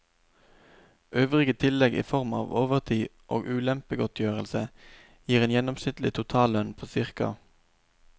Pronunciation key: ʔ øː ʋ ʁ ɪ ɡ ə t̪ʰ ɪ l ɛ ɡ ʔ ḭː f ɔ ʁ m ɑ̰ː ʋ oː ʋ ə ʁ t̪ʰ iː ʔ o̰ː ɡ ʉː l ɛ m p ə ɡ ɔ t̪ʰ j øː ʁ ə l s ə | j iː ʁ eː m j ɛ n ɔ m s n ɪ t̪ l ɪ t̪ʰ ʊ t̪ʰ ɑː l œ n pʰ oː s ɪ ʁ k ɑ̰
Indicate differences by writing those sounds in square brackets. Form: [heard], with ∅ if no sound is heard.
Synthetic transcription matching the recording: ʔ øː ʋ ʁ ɪ ɡ ə t̪ʰ ɪ l ɛ ɡ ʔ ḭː f ɔ ʁ m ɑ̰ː ʋ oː ʋ ə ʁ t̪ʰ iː ʔ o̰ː ɡ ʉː l ɛ m p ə ɡ ɔ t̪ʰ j øː ʁ ə l s ə | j iː ʁ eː [n] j ɛ n ɔ m s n ɪ t̪ l ɪ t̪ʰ ʊ t̪ʰ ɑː l œ n pʰ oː s ɪ ʁ k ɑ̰